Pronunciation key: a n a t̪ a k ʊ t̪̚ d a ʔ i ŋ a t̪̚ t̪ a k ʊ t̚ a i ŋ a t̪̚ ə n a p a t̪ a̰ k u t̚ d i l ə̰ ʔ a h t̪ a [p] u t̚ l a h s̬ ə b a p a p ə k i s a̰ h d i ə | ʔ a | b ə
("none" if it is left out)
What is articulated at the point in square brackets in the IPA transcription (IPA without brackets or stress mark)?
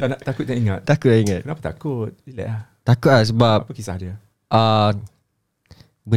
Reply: k